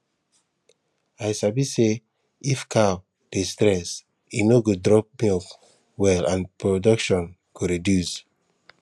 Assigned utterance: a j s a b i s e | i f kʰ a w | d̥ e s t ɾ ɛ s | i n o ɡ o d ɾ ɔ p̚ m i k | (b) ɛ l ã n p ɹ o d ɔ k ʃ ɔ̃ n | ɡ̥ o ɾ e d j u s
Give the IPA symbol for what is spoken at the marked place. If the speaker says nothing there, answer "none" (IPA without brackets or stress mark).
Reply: w